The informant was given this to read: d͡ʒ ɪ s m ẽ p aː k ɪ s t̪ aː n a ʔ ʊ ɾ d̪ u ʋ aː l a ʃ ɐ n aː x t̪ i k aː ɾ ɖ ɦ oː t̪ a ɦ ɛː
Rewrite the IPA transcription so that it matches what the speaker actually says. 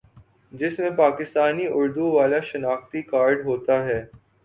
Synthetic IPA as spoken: d͡ʒ ɪ s m ẽ p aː k ɪ s t̪ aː n i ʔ ʊ ɾ d̪ u ʋ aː l a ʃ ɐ n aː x t̪ i k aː ɾ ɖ ɦ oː t̪ a ɦ ɛː